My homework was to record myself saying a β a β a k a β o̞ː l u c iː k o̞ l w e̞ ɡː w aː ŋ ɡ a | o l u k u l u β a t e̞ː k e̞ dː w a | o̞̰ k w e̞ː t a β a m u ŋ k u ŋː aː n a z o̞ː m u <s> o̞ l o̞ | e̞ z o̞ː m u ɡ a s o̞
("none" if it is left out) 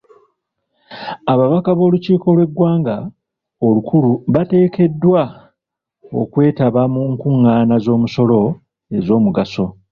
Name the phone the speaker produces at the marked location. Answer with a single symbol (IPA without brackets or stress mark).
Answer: s